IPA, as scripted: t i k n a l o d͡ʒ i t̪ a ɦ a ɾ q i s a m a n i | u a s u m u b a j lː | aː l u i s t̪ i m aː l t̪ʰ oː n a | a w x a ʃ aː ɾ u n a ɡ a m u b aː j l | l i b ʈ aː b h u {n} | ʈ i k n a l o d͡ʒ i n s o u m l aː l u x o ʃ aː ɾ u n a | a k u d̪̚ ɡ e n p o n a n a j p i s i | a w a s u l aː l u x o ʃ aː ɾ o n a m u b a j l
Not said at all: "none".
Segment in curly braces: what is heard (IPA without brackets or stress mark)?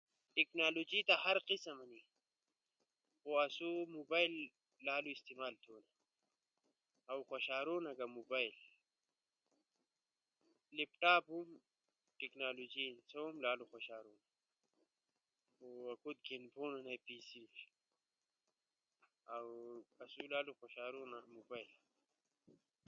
m